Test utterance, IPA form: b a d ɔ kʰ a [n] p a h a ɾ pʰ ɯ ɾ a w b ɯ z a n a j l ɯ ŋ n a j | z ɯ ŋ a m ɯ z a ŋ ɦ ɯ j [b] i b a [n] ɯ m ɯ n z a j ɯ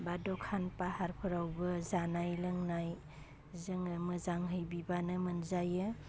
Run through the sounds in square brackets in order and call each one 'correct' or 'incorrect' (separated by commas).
correct, correct, correct